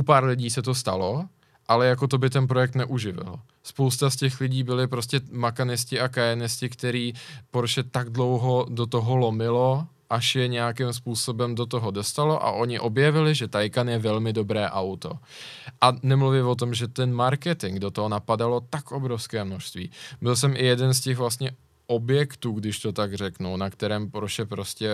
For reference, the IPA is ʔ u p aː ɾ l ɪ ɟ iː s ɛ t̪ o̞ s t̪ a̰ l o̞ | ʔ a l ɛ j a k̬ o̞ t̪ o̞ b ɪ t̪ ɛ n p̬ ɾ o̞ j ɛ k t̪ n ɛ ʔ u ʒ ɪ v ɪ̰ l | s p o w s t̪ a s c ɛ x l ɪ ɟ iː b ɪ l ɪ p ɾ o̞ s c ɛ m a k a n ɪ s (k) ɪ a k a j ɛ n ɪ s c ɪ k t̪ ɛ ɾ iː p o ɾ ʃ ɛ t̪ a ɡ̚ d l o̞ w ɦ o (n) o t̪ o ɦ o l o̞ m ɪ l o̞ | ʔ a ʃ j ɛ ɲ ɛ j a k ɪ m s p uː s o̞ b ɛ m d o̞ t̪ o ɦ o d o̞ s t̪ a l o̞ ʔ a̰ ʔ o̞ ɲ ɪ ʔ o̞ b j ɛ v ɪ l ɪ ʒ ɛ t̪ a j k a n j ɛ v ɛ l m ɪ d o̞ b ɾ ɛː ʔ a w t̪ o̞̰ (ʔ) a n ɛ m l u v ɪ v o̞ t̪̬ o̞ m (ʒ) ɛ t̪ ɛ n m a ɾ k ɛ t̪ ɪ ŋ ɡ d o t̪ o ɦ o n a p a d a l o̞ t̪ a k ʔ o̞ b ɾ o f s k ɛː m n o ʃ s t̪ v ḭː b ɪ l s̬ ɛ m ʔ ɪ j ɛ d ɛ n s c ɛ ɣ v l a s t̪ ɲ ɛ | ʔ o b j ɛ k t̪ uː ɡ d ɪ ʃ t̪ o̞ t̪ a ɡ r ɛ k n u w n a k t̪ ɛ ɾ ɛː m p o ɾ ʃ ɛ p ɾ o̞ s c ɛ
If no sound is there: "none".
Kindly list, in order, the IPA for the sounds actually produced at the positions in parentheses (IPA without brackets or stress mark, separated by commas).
c, d, ʔ, ʒ